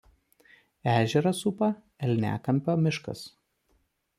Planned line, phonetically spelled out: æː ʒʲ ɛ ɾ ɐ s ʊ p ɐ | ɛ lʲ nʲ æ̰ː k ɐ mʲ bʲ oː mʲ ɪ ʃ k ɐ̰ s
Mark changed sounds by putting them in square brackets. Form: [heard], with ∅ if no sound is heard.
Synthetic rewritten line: æː ʒʲ ɛ ɾ ɐ s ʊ p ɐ | ɛ lʲ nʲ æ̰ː k ɐ mʲ [pʲ] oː mʲ ɪ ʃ k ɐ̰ s